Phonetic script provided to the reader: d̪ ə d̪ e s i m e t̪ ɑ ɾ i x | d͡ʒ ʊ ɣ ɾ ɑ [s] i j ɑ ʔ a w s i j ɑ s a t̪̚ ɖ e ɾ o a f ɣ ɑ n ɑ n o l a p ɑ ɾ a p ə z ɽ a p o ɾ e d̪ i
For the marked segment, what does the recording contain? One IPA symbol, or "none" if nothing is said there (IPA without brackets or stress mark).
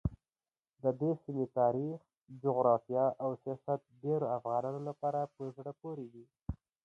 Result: f